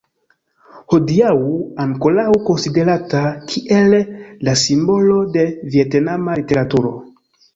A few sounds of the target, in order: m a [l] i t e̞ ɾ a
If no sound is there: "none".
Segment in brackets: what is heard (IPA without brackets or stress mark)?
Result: l